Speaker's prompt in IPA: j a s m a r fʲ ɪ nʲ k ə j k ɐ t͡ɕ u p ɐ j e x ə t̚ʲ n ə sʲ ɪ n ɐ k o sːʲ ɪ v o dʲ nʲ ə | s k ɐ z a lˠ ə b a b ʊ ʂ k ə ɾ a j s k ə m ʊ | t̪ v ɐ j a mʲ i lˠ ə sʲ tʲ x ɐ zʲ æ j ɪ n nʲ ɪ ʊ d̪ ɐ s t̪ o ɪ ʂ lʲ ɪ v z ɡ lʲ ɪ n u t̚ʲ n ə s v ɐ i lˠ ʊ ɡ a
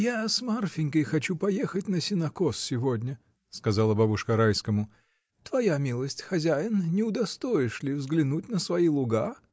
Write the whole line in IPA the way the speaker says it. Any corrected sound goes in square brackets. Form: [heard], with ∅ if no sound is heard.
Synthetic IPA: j a s m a r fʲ ɪ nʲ k ə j [x] ɐ t͡ɕ u p ɐ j e x ə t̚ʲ n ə sʲ ɪ n ɐ k o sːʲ ɪ v o dʲ nʲ ə | s k ɐ z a lˠ ə b a b ʊ ʂ k ə ɾ a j s k ə m ʊ | t̪ v ɐ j a mʲ i lˠ ə sʲ tʲ x ɐ zʲ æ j ɪ n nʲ ɪ ʊ d̪ ɐ s t̪ o ɪ ʂ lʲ ɪ v z ɡ lʲ ɪ n u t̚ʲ n ə s v ɐ i lˠ ʊ ɡ a